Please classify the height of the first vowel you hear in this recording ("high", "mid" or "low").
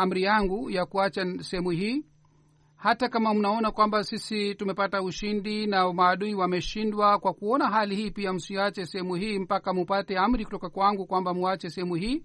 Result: low